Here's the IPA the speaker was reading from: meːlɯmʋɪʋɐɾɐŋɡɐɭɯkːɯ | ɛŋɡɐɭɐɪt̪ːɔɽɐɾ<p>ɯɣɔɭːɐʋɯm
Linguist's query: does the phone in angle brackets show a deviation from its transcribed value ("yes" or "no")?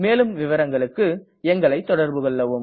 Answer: yes